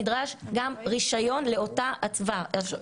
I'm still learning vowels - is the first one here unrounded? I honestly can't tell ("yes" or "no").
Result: yes